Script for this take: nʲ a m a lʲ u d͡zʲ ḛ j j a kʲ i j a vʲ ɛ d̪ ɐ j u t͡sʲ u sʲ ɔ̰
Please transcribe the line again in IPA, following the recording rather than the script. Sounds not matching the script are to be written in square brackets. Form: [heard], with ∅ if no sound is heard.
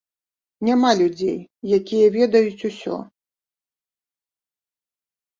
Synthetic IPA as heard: nʲ a m a lʲ u d͡zʲ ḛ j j a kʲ i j [ɐ] vʲ ɛ d̪ ɐ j u t͡sʲ u sʲ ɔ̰